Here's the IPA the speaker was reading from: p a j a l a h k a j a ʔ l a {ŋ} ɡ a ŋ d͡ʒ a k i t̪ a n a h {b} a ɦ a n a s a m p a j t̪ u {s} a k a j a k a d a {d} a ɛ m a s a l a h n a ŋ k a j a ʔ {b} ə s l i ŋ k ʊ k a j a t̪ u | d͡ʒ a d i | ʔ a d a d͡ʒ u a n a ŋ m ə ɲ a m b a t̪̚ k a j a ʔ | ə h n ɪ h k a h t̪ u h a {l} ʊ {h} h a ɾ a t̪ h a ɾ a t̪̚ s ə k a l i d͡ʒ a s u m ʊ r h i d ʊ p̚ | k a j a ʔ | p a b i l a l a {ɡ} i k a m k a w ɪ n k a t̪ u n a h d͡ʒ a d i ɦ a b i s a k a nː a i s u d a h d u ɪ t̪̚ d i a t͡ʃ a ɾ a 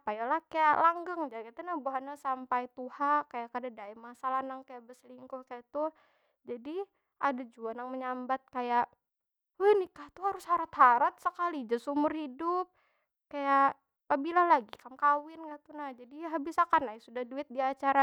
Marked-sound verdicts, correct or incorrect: correct, correct, incorrect: h, correct, correct, incorrect: ɾ, incorrect: s, correct

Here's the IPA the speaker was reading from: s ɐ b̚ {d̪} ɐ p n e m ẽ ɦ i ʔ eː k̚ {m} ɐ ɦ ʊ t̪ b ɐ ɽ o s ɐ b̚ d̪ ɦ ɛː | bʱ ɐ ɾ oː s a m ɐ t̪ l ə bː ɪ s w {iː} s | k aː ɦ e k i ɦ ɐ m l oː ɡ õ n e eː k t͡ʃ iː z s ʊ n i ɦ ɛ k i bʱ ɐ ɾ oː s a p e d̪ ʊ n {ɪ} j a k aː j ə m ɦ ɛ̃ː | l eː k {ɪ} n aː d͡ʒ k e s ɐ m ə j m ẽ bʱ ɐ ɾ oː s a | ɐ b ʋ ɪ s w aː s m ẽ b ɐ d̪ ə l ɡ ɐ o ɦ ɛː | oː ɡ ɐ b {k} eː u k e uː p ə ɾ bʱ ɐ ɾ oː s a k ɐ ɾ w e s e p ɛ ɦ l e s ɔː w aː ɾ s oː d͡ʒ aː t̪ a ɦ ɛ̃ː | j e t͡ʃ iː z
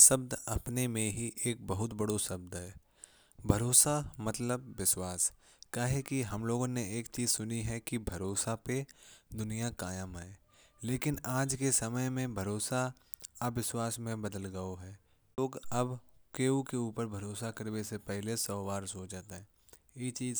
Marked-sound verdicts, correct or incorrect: correct, incorrect: b, incorrect: aː, incorrect: i, correct, correct

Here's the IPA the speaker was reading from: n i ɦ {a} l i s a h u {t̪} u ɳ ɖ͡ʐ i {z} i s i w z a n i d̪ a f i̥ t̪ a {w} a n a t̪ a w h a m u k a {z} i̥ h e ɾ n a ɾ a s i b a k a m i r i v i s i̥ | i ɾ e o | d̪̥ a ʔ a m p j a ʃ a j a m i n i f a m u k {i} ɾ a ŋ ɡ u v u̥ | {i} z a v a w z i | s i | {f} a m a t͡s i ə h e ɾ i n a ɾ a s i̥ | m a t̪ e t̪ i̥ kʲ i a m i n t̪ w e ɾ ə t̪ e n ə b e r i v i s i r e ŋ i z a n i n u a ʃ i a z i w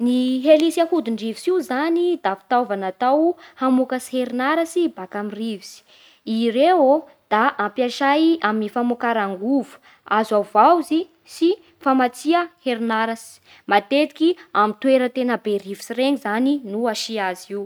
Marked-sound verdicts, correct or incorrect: incorrect: e, incorrect: d̪, incorrect: v, incorrect: v, incorrect: s, incorrect: a, incorrect: a, correct

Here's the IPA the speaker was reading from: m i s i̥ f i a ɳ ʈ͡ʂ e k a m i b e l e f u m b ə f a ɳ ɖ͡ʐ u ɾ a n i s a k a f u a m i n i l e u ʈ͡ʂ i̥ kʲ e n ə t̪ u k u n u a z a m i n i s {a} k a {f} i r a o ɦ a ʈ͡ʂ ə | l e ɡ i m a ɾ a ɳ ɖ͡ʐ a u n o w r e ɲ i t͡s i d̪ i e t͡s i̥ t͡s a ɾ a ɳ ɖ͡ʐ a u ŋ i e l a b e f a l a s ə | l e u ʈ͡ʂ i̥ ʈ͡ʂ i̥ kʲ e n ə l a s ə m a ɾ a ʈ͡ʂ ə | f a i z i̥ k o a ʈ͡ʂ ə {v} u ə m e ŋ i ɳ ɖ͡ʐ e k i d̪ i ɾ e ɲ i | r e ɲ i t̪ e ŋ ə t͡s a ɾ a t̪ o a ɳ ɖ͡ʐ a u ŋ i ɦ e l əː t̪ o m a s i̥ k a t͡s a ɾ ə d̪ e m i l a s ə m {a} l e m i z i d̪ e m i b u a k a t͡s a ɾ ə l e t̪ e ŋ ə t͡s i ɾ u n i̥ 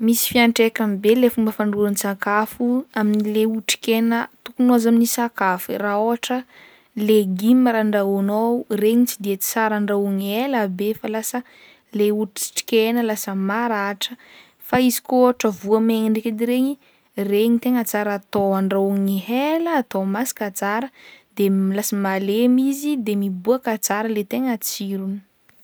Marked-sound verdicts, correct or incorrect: correct, correct, correct, correct

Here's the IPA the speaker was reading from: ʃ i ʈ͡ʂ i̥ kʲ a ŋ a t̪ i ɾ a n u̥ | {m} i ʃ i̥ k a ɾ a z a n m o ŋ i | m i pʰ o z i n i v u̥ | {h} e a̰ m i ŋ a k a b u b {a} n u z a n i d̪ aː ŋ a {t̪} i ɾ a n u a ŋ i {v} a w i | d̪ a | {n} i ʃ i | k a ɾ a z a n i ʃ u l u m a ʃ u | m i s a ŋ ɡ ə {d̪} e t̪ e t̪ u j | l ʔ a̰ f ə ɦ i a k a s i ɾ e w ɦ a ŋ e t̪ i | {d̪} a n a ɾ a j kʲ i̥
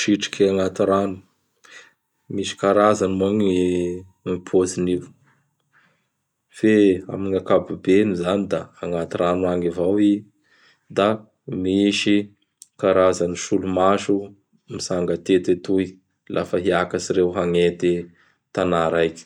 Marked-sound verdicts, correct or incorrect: correct, incorrect: f, incorrect: e, correct, correct, incorrect: m, incorrect: t̪, incorrect: t̪

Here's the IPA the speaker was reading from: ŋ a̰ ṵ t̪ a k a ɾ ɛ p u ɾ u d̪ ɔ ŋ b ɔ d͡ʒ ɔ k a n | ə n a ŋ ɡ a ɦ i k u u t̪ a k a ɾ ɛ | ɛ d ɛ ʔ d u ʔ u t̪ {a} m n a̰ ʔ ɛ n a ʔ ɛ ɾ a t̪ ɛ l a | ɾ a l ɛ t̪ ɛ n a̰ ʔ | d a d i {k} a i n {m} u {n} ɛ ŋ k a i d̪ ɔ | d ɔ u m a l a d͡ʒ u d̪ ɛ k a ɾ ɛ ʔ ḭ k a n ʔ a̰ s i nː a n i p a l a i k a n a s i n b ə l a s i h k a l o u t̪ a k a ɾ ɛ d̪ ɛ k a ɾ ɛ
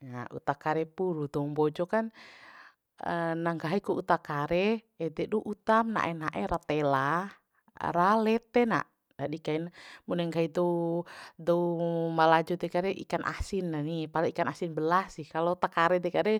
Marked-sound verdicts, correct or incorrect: correct, correct, correct, correct

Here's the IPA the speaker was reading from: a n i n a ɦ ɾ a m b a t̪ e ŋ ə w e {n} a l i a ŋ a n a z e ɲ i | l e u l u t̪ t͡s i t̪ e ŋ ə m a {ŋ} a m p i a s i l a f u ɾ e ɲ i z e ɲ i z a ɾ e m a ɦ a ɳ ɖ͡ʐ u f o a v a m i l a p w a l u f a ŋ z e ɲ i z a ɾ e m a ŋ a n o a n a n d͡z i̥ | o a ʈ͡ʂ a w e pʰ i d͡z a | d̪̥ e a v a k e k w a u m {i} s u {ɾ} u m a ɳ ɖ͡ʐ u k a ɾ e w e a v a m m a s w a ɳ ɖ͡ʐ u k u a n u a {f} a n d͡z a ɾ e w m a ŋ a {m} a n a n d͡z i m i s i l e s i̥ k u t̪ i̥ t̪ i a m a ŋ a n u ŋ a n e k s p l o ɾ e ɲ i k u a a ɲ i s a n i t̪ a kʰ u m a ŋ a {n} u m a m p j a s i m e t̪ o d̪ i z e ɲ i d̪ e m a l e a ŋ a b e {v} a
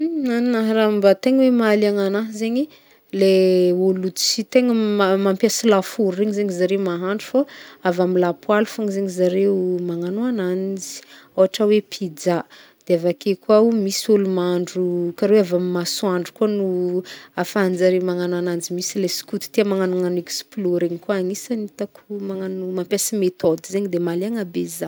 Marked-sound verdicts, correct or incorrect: incorrect: m, incorrect: m, correct, incorrect: l, correct, incorrect: n, correct, incorrect: z

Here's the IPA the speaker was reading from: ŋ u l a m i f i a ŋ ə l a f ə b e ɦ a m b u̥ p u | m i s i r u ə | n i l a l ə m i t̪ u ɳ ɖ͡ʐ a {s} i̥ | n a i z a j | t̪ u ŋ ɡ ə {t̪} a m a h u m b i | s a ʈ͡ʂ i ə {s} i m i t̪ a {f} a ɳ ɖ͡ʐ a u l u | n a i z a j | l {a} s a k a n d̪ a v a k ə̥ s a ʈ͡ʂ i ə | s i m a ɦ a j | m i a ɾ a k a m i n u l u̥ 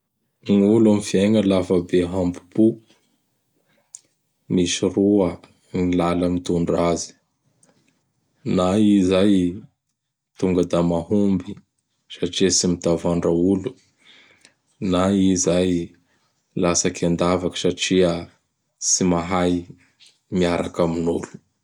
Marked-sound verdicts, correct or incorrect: incorrect: z, incorrect: d̪, correct, incorrect: v, correct

